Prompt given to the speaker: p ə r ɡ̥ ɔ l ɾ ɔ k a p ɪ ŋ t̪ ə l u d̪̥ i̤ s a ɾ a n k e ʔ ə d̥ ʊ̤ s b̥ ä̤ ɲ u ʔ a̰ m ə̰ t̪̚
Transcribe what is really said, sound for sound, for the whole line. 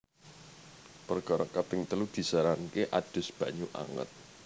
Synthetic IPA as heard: p ə r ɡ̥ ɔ ɾ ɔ k a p ɪ ŋ t̪ ə l u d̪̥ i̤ s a ɾ a n k e ʔ a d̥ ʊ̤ s b̥ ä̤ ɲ u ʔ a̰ ŋ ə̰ t̪̚